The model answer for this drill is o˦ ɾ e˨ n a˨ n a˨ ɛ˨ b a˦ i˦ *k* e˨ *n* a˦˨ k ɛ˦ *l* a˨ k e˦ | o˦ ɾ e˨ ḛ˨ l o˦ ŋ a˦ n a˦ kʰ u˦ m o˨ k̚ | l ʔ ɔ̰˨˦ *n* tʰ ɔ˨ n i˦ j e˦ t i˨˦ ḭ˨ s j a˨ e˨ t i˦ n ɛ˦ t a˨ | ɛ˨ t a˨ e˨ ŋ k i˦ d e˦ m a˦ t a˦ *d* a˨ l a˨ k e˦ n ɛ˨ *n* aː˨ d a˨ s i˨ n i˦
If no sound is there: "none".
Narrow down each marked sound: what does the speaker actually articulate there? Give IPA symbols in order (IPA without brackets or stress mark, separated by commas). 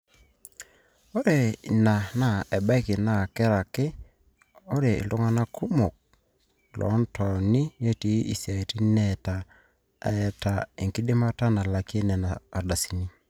k, n, ɾ, n, n, n